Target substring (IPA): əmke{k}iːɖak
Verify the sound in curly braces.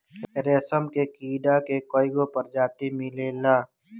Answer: correct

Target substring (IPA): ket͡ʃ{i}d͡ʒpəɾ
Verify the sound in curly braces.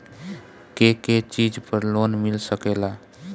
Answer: correct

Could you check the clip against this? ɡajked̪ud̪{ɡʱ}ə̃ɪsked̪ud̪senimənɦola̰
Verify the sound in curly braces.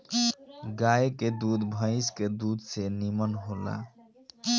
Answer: incorrect: bʱ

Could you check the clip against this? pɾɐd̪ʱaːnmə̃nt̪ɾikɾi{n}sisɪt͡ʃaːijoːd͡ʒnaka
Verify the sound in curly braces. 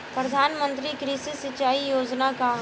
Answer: incorrect: none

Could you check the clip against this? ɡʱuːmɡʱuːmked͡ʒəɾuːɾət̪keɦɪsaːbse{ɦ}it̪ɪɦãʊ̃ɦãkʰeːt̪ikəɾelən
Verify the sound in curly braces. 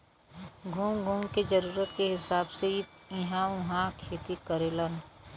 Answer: incorrect: none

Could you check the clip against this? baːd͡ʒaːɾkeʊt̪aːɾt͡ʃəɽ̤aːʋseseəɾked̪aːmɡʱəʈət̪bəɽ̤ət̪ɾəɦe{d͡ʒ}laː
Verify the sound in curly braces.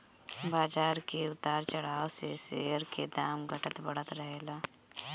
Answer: incorrect: none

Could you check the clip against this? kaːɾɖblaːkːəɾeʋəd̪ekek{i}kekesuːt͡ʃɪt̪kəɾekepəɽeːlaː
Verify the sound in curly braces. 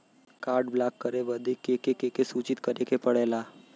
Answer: incorrect: e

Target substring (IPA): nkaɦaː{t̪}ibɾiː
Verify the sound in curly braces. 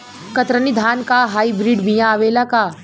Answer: incorrect: none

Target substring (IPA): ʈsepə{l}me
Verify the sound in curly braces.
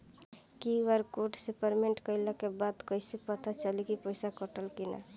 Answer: incorrect: ɾ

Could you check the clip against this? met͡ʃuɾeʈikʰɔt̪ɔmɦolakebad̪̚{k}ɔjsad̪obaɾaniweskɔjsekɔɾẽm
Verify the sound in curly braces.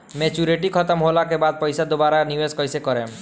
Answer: incorrect: p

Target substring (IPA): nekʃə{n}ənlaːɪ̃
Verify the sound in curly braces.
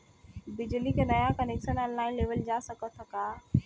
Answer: correct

